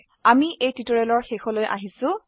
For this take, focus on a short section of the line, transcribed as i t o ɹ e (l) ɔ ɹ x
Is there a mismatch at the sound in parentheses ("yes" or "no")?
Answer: no